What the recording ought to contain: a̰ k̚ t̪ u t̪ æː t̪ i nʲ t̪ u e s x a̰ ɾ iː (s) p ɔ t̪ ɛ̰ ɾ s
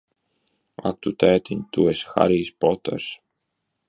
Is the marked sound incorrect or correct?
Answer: correct